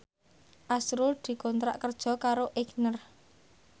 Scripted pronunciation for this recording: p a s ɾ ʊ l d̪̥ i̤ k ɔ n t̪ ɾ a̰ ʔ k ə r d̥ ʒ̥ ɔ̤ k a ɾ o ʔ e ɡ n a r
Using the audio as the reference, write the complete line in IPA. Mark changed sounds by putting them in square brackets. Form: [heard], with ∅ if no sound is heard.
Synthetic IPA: [ʔ] a s ɾ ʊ l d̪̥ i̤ k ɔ n t̪ ɾ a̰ ʔ k ə r d̥ ʒ̥ ɔ̤ k a ɾ o ʔ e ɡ n [ə] r